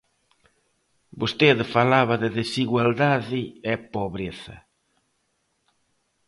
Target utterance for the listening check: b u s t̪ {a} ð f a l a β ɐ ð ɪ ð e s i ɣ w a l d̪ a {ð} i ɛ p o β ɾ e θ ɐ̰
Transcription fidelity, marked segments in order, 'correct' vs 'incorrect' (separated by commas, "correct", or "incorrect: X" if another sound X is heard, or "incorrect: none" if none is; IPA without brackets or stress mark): incorrect: e, correct